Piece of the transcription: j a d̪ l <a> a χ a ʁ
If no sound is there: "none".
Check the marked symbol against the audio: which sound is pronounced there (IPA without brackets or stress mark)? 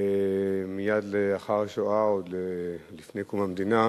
e